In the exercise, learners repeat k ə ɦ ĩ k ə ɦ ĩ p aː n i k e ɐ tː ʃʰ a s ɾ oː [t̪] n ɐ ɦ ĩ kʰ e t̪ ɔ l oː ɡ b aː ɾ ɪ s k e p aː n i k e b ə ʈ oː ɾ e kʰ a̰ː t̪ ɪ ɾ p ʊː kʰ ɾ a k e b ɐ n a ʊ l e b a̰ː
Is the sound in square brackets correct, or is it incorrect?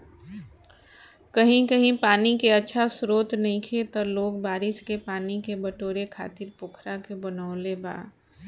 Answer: correct